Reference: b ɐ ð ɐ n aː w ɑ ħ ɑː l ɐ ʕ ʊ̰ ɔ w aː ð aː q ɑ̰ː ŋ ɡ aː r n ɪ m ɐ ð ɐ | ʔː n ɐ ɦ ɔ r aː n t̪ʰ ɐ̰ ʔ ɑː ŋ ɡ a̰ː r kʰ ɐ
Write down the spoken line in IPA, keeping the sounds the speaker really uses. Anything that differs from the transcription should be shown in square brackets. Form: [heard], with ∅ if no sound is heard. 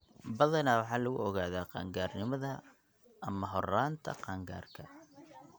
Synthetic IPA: b ɐ ð ɐ n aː w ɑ ħ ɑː l ɐ [ɣ] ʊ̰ ɔ [ɣ] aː ð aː q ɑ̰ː ŋ ɡ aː r n ɪ m ɐ ð ɐ | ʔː [m] ɐ ɦ ɔ r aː n t̪ʰ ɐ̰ [q] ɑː ŋ ɡ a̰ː r kʰ ɐ